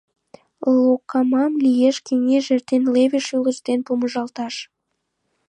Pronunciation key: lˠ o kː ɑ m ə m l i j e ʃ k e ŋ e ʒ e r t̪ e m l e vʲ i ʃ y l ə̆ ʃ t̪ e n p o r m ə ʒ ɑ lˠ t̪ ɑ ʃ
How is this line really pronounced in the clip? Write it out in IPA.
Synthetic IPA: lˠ o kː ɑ m ɑ m l i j e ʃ k e ŋ e ʒ e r t̪ e n l e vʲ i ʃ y l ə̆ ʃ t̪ e n p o m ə ʒ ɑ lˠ t̪ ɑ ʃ

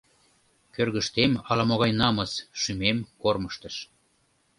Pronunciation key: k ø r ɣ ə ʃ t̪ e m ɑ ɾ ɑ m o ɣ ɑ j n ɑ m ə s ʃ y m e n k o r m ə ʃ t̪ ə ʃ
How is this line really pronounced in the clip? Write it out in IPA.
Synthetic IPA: k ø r ɣ ə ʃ t̪ e m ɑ l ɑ m o ɣ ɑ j n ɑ m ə s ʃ y m e m k o r m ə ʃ t̪ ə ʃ

